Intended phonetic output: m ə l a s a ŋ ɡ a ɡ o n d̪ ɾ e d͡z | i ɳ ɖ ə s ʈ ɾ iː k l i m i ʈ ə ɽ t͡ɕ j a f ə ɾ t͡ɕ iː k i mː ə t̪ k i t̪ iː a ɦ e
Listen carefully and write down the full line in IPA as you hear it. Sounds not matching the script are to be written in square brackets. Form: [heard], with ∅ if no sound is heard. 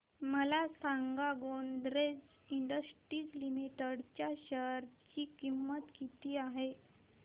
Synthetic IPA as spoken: m ə l a s a ŋ ɡ a ɡ o n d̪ ɾ e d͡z | i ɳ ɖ ə s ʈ ɾ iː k l i m i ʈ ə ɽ t͡ɕ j a [ɕ] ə ɾ t͡ɕ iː k i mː ə t̪ k i t̪ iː a ɦ e